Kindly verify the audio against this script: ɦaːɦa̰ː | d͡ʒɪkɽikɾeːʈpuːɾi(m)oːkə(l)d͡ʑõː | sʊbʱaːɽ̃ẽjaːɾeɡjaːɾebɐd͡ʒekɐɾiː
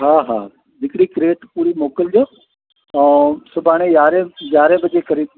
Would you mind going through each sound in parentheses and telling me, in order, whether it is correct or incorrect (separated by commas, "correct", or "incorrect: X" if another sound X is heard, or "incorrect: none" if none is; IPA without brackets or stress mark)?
correct, correct